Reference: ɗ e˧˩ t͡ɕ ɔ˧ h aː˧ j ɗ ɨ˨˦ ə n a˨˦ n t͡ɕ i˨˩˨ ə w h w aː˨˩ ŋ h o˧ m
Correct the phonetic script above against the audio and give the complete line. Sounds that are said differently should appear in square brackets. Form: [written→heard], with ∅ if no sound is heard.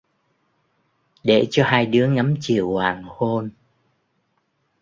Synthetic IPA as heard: ɗ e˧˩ t͡ɕ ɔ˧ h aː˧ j ɗ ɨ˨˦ ə [n→ŋ] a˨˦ [n→m] t͡ɕ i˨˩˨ ə w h w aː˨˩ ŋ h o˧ [m→n]